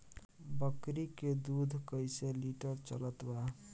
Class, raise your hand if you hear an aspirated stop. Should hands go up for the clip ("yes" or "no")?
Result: no